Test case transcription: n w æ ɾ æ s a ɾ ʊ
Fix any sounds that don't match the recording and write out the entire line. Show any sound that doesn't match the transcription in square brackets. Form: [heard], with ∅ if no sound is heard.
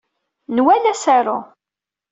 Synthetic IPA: n w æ [l] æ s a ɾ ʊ